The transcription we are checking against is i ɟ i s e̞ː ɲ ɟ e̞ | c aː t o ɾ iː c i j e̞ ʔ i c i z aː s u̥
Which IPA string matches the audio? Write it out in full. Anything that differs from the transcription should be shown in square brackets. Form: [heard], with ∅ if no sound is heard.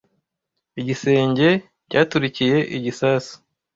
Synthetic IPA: i ɟ i s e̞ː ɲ ɟ e̞ | c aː t [u] ɾ [i] c i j e̞ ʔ i [ɟ] i [s] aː s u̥